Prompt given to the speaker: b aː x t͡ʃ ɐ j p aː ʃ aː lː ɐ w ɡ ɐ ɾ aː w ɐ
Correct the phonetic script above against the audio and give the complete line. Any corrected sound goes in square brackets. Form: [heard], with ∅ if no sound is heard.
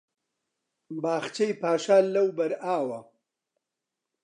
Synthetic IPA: b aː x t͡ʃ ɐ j p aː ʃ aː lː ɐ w [b] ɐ ɾ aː w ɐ